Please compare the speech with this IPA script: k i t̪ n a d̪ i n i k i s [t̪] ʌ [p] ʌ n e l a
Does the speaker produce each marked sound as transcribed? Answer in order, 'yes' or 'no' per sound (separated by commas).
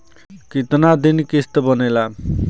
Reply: yes, no